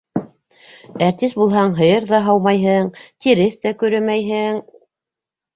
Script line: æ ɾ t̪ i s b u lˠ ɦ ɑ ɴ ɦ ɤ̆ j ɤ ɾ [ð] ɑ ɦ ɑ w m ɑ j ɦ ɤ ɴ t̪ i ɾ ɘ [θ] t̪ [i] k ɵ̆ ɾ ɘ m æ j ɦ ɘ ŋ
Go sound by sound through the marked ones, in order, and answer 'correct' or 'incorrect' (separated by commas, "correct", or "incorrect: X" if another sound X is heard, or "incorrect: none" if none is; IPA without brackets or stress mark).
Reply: correct, correct, incorrect: æ